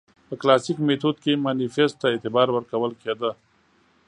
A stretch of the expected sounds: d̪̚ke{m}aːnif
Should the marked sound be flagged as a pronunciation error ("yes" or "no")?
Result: no